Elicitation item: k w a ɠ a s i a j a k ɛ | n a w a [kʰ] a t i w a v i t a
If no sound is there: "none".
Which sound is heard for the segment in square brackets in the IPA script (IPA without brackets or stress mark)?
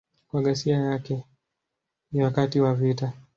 k